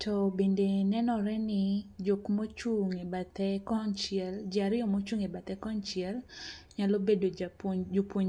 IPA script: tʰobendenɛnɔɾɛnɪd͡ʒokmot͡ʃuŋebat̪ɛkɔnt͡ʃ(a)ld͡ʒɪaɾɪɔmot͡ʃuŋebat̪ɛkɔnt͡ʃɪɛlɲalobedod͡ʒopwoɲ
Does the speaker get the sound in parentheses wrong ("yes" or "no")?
yes